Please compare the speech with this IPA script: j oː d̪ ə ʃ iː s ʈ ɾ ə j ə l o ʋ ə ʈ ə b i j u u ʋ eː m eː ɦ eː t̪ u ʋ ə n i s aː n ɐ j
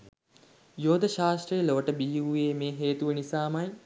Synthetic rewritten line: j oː d̪ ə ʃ aː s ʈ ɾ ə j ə l o ʋ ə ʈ ə b i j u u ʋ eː m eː ɦ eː t̪ u ʋ ə n i s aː m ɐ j

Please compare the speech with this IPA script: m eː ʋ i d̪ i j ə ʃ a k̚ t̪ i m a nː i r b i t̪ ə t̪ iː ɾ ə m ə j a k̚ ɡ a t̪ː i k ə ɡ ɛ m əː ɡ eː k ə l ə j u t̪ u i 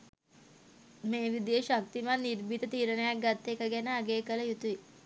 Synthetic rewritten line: m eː ʋ i d̪ i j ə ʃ a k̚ t̪ i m a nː i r b i t̪ ə t̪ iː ɾ ə n ə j a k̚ ɡ a t̪ː e k ə ɡ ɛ n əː ɡ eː k ə l ə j u t̪ u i

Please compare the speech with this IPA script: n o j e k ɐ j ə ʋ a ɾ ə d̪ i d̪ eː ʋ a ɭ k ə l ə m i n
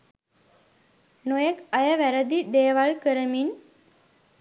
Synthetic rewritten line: n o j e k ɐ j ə ʋ æ ɾ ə d̪ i d̪ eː ʋ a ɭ k ə ɾ ə m i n

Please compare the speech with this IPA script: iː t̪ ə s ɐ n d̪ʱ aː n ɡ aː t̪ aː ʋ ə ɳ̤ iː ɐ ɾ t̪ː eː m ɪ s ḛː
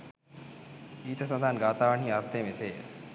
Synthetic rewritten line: iː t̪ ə s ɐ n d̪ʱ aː n ɡ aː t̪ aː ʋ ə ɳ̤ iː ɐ ɾ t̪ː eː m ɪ s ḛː

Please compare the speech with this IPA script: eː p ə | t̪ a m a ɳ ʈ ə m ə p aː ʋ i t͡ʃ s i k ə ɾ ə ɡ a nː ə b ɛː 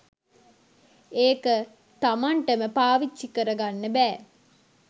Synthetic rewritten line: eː k ə | t̪ a m a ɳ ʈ ə m ə p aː ʋ i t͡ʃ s i k ə ɾ ə ɡ a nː ə b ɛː

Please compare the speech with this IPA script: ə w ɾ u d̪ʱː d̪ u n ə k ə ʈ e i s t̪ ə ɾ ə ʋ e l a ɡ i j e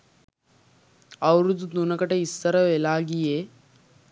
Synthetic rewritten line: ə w ɾ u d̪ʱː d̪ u n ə k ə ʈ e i s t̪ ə ɾ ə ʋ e l a ɡ i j e

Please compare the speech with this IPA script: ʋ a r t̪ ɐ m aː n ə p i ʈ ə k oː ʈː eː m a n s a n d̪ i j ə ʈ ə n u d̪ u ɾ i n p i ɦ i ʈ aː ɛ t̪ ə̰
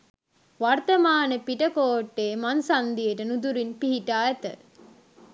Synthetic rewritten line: ʋ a r t̪ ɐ m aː n ə p i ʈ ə k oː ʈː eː m a n s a n d̪ i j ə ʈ ə n u d̪ u ɾ i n p i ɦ i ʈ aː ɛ t̪ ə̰

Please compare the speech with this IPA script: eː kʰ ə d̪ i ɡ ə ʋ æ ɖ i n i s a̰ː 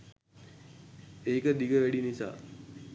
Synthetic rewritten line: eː k ə d̪ i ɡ ə ʋ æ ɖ i n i s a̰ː

